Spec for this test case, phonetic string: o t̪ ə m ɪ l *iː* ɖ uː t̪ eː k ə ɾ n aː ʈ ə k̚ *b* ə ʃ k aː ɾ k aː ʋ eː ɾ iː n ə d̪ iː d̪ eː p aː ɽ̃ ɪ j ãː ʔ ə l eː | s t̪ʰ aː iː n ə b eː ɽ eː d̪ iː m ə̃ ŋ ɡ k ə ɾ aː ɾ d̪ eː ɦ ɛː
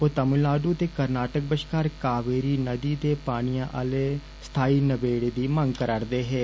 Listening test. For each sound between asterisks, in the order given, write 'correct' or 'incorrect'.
incorrect: aː, correct

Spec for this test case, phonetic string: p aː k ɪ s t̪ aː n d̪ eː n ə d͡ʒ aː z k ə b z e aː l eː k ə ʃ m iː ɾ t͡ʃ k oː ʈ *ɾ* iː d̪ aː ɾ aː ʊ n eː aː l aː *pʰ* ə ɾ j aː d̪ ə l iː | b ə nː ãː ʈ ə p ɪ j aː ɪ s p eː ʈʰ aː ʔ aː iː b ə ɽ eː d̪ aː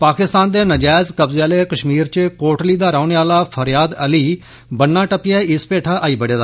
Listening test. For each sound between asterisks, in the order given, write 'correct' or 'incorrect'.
incorrect: l, correct

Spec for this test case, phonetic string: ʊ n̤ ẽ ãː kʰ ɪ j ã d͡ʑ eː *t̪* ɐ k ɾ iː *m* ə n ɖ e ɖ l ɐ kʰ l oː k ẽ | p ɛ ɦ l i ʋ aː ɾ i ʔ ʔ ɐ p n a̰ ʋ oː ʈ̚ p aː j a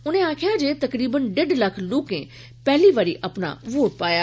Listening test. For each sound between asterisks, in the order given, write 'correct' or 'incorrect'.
correct, incorrect: b

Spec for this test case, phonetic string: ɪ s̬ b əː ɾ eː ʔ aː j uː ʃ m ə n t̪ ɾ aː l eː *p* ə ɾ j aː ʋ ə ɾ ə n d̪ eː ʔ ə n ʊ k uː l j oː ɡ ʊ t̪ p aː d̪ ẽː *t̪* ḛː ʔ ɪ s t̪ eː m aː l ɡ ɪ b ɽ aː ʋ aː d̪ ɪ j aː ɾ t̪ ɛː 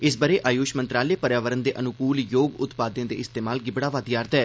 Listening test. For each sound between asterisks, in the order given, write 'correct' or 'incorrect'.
correct, incorrect: d̪

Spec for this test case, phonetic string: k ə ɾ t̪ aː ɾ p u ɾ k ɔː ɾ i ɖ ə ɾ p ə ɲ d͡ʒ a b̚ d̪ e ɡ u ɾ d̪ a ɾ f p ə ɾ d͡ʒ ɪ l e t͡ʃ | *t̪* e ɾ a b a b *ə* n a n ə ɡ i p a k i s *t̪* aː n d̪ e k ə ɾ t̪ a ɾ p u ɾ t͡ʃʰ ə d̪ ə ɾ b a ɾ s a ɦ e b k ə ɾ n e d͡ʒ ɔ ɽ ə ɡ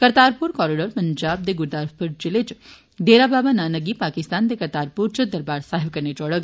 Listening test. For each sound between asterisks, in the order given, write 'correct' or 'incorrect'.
incorrect: d̪, incorrect: a, correct

